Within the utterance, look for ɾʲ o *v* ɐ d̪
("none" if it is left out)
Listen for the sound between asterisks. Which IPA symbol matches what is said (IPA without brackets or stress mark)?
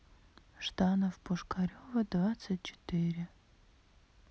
v